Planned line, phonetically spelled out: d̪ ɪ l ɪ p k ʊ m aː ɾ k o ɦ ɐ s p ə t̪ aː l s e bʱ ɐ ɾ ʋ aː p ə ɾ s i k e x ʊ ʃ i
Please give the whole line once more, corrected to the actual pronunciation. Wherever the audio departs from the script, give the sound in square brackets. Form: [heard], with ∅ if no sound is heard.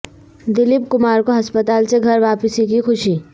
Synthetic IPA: d̪ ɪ l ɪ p k ʊ m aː ɾ k o ɦ ɐ s p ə t̪ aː l s e [ɡʱ] ɐ ɾ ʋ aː p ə [∅] s i k [i] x ʊ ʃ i